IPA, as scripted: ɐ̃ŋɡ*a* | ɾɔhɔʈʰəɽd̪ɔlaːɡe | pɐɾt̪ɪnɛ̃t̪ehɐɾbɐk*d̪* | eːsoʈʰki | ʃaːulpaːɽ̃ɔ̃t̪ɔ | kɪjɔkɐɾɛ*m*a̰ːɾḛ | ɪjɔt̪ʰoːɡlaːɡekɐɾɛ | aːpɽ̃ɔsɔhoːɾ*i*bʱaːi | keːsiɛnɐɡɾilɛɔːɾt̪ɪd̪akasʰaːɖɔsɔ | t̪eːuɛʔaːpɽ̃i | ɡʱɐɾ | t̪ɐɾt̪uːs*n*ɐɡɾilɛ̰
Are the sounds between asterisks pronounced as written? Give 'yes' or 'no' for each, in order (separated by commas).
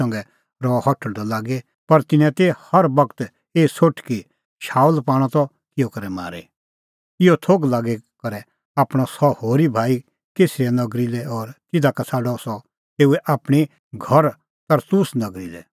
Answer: no, no, yes, yes, yes